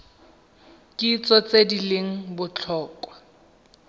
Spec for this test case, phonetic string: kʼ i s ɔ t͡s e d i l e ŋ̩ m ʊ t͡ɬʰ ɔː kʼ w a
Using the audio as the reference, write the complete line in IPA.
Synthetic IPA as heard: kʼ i t͡s ɔ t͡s e d i l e ŋ̩ b ʊ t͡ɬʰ ɔː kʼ w a